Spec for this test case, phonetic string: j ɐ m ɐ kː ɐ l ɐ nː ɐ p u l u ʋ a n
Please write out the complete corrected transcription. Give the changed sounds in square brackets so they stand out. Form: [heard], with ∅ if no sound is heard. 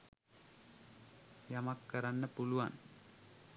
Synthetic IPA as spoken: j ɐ m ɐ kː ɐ [ɾ] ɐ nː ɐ p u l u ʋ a n